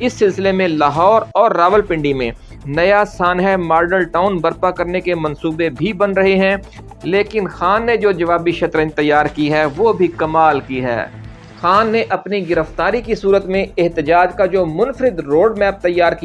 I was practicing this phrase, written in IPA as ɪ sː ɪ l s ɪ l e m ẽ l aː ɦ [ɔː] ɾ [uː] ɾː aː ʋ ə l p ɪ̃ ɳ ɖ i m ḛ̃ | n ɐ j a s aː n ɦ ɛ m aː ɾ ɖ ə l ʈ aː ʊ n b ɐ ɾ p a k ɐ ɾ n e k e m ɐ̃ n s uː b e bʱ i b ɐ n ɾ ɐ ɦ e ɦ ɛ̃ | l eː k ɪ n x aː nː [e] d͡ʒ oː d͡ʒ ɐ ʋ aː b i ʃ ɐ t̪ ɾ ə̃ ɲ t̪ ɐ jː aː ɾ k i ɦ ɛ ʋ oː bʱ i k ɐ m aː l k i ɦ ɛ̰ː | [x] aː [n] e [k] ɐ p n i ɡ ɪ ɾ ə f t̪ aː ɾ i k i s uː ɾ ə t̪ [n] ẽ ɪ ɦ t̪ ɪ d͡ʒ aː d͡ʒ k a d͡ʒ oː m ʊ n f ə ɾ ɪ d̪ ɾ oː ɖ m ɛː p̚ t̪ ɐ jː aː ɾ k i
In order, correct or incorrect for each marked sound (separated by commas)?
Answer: correct, incorrect, correct, correct, incorrect, incorrect, incorrect